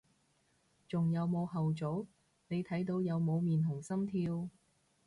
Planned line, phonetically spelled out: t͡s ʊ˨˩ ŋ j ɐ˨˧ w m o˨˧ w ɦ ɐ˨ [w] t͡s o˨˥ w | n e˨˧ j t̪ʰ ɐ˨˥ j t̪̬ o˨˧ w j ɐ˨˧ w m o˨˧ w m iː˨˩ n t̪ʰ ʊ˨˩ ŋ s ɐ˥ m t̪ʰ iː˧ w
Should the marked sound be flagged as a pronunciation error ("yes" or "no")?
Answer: no